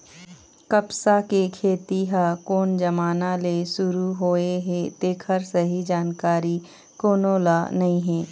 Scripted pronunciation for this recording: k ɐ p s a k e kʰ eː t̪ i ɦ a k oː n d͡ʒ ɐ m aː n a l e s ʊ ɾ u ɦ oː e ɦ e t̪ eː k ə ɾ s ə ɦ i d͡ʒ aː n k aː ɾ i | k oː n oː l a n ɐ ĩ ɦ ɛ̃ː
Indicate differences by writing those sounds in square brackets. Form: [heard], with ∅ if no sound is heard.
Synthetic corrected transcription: k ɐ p s a k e kʰ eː t̪ i ɦ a k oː n d͡ʒ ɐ m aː n a l e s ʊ ɾ u ɦ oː e ɦ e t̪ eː [kʰ] ə ɾ s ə ɦ i d͡ʒ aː n k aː ɾ i | k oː n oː l a n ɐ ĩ ɦ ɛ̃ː